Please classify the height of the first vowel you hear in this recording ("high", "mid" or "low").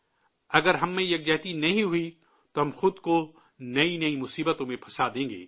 low